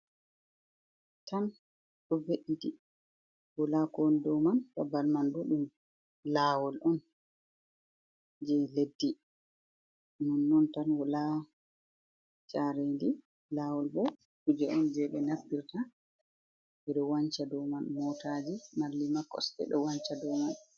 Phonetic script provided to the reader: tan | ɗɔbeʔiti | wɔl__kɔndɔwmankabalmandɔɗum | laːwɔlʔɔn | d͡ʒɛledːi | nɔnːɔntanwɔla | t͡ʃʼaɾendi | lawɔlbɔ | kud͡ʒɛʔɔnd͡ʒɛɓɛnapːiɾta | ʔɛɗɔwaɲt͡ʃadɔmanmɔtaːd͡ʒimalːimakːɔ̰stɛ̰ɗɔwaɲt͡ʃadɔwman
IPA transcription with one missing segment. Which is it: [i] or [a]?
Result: a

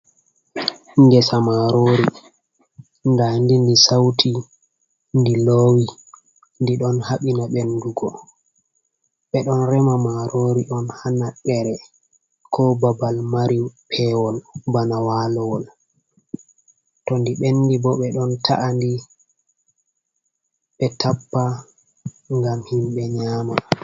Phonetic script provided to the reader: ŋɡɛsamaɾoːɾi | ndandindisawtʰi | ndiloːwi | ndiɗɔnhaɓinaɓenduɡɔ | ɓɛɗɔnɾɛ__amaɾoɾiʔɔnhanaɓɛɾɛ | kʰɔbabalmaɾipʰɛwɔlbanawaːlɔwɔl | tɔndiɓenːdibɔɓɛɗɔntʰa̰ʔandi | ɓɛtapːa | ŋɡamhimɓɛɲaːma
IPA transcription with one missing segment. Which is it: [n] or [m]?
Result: m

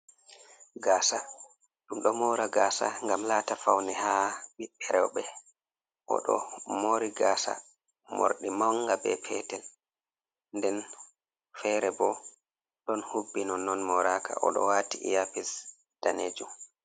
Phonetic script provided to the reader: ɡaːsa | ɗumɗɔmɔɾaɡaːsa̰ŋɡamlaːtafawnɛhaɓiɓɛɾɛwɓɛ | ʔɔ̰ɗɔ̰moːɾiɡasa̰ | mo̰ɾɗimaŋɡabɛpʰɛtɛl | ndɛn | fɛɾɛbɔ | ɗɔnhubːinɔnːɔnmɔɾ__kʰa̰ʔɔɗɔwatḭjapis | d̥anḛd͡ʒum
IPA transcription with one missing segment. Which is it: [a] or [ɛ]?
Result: a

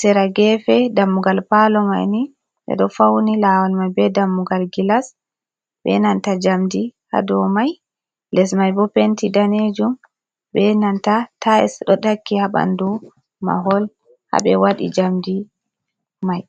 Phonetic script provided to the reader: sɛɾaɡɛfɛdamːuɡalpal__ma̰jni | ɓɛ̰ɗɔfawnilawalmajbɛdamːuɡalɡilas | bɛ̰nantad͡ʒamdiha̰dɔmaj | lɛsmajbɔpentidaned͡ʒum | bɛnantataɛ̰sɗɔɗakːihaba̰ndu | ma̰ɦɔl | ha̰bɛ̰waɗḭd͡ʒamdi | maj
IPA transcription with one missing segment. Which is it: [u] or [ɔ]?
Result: ɔ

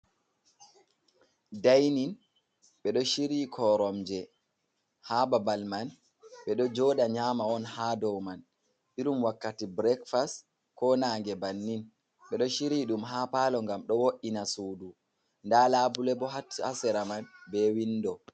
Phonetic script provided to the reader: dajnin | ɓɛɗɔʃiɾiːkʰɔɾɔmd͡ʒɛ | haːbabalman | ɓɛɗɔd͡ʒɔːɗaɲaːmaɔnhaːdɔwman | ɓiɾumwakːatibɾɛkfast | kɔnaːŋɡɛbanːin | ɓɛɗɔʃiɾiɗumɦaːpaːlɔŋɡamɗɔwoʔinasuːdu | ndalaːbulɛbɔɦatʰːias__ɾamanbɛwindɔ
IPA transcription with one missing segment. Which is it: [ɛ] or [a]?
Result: ɛ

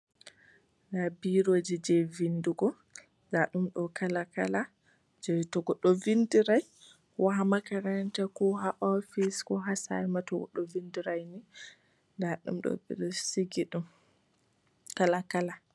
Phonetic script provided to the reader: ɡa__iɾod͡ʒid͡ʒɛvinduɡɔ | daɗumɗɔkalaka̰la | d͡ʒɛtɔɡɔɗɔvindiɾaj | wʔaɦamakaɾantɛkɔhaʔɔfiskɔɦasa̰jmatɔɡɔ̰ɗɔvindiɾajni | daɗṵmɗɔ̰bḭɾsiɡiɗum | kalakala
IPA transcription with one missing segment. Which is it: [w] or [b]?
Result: b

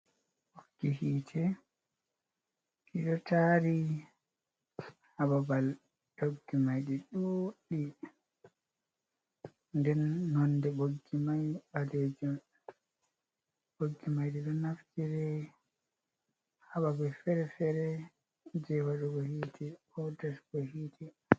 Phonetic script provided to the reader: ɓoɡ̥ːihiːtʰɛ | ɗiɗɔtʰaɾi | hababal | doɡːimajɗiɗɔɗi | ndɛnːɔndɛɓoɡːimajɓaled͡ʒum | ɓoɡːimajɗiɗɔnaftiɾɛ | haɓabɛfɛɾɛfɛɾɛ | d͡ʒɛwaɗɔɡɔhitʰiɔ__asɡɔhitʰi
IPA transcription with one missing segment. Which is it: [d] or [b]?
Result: d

